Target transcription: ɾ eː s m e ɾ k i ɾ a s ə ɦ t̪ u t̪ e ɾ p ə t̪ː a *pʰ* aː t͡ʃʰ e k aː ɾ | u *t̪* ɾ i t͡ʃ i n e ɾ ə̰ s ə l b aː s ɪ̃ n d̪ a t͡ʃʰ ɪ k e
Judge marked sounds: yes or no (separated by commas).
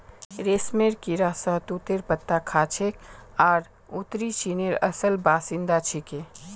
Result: no, yes